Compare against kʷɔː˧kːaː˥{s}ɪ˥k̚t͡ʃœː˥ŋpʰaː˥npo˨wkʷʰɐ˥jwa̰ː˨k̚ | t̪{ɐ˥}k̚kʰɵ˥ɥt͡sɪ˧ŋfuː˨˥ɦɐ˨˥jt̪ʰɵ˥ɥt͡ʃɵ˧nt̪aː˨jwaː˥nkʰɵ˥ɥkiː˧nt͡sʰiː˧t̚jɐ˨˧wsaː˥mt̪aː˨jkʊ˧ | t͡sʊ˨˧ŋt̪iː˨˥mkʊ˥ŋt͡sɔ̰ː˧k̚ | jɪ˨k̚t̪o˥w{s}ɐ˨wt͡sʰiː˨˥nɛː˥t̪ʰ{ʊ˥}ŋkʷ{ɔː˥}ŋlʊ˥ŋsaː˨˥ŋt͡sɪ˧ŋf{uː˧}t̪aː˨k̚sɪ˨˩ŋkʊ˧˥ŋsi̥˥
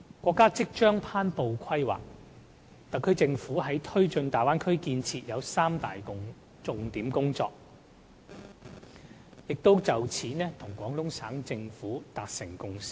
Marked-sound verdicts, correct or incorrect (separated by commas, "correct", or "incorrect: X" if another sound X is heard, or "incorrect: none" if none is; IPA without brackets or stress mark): incorrect: t͡s, incorrect: ɐ˨, incorrect: t͡s, incorrect: ʊ˨˩, incorrect: ɔː˨˥, incorrect: uː˨˥